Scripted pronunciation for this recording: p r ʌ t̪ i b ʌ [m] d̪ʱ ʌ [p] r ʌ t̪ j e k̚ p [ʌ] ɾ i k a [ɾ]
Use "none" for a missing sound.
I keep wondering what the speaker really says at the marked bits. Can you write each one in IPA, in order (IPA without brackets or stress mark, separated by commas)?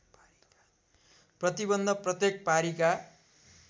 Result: n, p, a, none